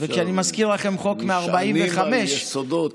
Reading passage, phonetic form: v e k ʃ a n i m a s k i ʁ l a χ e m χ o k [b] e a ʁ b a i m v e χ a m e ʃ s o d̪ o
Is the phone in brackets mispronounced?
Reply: yes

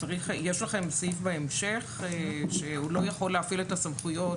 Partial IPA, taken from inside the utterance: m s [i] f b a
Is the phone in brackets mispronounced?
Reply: no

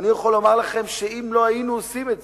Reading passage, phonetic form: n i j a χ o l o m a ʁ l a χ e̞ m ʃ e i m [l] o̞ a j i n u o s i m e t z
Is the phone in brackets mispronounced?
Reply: no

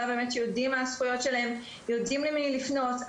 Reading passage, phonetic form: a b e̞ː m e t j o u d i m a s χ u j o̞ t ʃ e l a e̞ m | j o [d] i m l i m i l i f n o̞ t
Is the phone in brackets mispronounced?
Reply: no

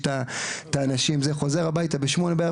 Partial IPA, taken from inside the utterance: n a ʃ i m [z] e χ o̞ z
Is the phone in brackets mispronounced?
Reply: no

